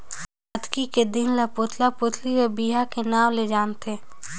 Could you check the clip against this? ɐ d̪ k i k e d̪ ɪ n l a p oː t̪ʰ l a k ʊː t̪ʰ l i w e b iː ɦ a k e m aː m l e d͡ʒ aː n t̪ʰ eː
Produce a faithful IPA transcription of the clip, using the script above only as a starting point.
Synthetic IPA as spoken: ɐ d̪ k i k e d̪ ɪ n l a p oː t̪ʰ l a p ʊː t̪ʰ l i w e b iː ɦ a k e n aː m l e d͡ʒ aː n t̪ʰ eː